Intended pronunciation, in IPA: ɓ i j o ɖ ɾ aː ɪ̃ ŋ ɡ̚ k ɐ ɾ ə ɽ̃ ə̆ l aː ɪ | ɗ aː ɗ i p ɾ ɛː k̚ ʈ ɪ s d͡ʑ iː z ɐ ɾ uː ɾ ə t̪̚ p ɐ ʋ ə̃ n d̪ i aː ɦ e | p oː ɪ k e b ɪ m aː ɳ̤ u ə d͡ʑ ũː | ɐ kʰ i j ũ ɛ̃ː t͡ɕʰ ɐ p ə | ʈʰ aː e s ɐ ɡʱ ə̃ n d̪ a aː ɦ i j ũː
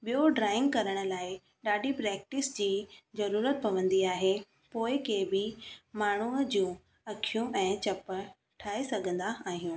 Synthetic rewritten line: ɓ i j o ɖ ɾ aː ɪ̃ ŋ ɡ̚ k ɐ ɾ ə ɽ̃ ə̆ l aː ɪ | ɗ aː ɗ i p ɾ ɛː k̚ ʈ ɪ s d͡ʑ iː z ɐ ɾ uː ɾ ə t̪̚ p ɐ ʋ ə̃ n d̪ i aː ɦ e | p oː ɪ k e b ɪ m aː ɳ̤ u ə d͡ʑ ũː | ɐ kʰ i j ũ ɛ̃ː t͡ɕ ɐ p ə | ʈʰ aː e s ɐ ɡʱ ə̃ n d̪ a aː ɦ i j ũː

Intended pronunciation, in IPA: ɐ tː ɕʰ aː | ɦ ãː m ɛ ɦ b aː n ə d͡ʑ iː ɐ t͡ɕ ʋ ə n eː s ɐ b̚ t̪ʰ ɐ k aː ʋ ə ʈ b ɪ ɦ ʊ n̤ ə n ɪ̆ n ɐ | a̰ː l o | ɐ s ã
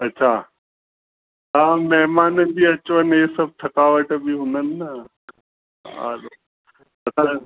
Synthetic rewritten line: ɐ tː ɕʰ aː | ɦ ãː m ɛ ɦ m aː n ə d͡ʑ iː ɐ t͡ɕ ʋ ə n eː s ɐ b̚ t̪ʰ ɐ k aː ʋ ə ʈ b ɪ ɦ ʊ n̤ ə n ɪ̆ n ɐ | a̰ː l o | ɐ s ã

